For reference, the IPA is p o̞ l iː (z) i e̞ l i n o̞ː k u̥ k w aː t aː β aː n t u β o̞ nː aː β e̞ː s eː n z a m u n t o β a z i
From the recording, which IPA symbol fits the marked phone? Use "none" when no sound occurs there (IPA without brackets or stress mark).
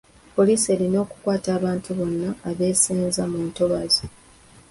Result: s